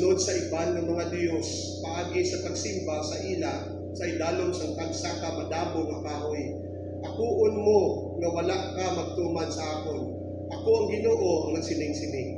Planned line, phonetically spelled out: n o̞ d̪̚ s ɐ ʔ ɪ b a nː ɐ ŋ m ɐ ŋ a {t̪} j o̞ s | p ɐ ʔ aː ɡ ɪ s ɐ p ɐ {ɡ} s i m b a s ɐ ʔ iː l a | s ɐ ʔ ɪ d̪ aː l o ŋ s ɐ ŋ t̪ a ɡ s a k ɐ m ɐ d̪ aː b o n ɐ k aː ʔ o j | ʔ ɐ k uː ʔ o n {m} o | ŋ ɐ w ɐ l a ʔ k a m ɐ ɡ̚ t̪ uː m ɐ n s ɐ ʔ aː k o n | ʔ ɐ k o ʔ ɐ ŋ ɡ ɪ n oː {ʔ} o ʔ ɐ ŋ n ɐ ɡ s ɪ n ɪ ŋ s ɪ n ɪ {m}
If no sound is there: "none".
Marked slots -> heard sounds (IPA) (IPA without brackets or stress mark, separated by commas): d̪, ɡ, m, ʔ, ŋ